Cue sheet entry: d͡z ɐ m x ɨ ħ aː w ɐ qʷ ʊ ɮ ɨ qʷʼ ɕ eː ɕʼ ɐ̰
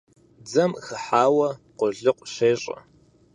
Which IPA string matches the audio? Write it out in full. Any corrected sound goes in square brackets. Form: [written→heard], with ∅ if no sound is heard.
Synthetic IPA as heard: d͡z ɐ m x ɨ ħ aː w ɐ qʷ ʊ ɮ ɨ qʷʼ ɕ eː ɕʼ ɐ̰